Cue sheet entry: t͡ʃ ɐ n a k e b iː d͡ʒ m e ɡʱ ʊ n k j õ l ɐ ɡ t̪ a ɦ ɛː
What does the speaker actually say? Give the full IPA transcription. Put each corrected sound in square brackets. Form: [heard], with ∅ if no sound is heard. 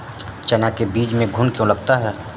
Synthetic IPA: t͡ʃ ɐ n a k e b iː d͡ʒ m [ẽ] ɡʱ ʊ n k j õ l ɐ ɡ t̪ a ɦ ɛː